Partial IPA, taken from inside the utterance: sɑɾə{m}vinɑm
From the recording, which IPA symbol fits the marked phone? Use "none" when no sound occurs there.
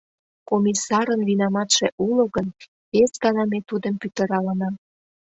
n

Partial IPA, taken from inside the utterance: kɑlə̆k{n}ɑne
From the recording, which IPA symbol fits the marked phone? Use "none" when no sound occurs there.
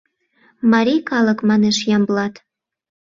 m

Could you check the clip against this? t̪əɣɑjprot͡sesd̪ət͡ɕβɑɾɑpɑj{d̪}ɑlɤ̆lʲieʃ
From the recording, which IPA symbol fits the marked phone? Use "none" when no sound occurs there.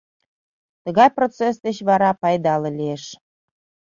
d̪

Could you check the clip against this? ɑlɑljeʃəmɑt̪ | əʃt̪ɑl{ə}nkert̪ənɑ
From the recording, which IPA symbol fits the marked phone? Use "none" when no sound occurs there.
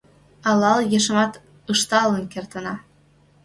ə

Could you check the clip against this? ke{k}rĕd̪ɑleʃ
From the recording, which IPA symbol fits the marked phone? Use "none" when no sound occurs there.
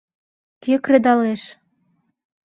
k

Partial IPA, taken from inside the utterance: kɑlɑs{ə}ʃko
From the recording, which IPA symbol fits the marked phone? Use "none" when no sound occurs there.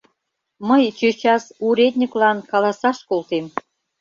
ɑ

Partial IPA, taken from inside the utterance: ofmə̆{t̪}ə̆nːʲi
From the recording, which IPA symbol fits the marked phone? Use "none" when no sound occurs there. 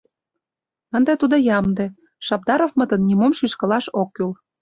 t̪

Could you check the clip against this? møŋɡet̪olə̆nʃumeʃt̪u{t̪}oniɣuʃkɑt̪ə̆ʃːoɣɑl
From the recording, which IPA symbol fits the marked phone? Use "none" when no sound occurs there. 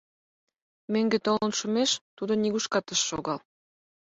d̪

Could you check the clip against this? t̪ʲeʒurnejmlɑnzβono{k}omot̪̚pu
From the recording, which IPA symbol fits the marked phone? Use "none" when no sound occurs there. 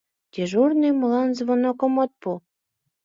k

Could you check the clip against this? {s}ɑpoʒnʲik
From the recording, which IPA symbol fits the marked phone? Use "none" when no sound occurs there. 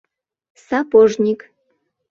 s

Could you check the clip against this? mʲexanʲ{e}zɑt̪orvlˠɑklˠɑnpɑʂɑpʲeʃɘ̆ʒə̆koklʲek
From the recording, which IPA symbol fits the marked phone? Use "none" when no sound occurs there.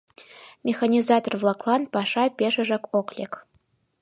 i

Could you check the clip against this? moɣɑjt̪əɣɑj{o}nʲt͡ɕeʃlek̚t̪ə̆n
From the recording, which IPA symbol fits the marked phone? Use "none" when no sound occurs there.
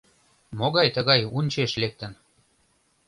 u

